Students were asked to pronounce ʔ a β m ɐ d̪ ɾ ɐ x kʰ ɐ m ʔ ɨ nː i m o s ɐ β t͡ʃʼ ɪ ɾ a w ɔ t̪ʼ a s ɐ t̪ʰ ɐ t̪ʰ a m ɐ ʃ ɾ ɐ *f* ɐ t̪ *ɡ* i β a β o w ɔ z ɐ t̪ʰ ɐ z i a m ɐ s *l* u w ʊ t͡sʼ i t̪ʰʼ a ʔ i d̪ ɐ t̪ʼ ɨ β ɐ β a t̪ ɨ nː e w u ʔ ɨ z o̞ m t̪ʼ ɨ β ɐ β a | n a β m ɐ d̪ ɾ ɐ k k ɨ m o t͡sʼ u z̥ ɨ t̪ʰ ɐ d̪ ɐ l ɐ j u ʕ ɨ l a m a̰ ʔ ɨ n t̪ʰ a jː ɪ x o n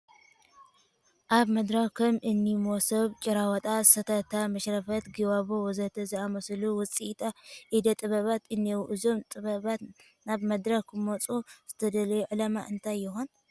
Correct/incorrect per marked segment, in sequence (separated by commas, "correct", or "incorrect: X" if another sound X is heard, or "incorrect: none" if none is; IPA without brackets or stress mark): correct, correct, correct